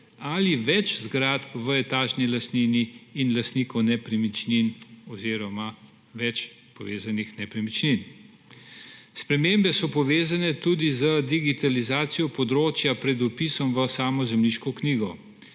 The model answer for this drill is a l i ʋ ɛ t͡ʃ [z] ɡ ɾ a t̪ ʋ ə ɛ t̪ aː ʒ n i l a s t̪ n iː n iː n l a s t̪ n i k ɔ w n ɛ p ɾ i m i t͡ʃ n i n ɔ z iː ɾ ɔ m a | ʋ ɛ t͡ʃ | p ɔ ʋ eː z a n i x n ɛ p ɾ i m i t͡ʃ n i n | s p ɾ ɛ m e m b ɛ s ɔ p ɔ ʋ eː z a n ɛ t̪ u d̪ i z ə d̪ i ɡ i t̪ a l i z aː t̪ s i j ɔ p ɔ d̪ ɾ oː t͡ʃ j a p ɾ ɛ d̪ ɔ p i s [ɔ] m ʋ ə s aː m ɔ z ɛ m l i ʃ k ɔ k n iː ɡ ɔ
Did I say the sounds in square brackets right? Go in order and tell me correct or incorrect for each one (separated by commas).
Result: correct, correct